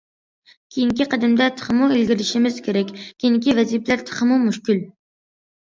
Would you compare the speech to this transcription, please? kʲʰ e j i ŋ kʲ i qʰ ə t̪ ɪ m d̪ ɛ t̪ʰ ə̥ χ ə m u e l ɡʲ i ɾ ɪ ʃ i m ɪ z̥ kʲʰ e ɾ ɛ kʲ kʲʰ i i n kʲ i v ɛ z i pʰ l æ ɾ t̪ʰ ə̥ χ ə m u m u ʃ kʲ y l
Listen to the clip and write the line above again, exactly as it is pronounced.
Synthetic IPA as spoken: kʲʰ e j i ŋ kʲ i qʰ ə d̪ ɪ m d̪ ɛ t̪ʰ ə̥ χ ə m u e l ɡʲ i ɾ ɪ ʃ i m ɪ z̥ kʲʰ e ɾ ɛ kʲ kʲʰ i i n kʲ i v ɛ z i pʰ l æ ɾ t̪ʰ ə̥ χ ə m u m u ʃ kʲ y l